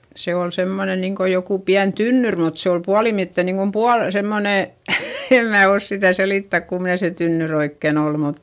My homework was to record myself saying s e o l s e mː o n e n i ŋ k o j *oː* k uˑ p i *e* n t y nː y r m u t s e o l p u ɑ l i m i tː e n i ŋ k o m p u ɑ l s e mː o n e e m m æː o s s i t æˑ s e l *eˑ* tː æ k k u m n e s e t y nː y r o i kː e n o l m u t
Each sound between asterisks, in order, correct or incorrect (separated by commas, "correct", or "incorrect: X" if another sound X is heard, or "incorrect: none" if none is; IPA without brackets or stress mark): incorrect: o, incorrect: æ, incorrect: iˑ